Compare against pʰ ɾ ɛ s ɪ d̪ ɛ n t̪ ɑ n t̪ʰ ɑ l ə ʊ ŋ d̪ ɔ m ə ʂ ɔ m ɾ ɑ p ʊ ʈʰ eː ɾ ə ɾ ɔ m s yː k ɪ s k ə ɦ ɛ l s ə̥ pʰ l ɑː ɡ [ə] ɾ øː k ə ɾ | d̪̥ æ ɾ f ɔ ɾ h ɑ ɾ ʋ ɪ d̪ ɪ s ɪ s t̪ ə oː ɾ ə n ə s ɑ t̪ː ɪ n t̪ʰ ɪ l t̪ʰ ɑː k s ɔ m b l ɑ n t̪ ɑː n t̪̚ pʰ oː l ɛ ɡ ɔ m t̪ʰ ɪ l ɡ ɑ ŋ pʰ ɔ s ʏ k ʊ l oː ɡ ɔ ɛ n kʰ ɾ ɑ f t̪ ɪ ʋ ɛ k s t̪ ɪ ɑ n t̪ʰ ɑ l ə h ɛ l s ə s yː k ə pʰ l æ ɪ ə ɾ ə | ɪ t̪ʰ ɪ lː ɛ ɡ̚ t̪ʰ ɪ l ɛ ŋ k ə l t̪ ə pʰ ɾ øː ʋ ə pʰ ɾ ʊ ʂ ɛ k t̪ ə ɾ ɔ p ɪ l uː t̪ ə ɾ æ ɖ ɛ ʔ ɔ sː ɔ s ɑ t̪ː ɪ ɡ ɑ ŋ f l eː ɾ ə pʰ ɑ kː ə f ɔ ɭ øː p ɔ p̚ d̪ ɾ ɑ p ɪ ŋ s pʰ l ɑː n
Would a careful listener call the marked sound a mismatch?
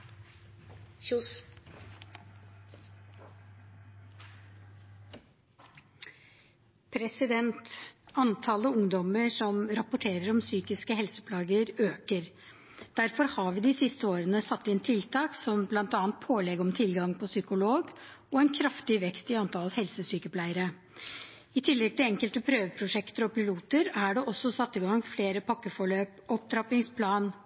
no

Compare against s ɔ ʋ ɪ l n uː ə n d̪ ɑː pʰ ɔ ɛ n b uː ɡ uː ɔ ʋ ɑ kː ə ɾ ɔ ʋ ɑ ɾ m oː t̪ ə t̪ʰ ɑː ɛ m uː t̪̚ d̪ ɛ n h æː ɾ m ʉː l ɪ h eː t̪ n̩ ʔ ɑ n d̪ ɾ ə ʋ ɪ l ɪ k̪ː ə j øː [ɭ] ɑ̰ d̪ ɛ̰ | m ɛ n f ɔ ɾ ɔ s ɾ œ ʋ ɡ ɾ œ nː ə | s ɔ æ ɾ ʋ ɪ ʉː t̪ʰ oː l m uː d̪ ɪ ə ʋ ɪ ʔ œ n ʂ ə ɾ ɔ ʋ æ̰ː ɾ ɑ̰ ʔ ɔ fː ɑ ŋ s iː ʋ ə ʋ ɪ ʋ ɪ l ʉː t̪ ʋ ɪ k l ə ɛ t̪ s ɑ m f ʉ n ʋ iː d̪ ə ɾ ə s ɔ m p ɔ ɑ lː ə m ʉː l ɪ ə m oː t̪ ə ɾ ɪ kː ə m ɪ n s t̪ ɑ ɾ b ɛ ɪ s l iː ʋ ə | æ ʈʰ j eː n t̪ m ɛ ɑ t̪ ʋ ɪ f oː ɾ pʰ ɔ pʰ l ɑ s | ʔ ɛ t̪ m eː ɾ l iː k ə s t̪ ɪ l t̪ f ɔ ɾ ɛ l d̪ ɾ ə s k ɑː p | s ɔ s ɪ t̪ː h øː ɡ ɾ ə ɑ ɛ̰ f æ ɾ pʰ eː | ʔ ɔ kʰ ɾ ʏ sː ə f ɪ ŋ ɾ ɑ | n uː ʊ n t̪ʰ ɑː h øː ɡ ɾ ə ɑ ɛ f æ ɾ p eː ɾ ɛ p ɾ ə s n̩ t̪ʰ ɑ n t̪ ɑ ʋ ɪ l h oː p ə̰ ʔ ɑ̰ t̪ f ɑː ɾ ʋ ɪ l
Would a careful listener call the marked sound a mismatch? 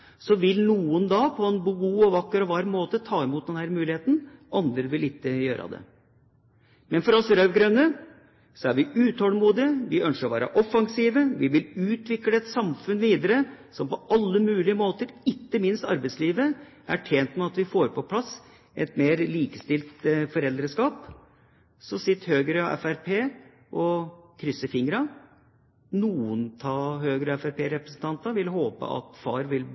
yes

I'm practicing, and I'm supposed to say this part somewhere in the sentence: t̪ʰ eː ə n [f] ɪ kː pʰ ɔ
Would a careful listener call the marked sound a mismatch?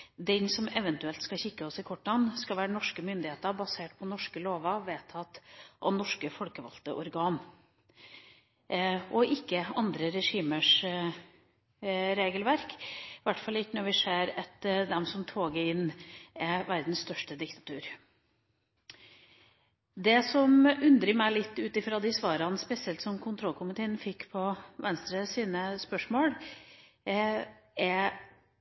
no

